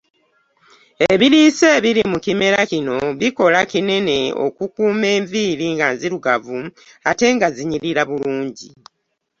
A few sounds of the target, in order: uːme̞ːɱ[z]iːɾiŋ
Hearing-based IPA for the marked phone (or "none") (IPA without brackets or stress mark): v